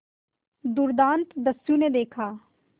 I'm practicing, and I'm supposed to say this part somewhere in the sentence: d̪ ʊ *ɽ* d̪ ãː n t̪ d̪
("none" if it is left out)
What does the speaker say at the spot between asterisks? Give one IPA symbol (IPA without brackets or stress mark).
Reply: ɾ